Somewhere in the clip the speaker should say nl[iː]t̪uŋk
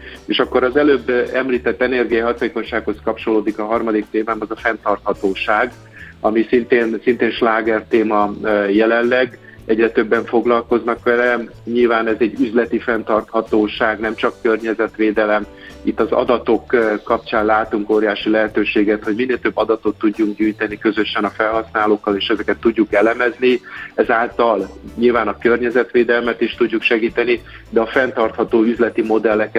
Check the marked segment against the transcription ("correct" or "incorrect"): incorrect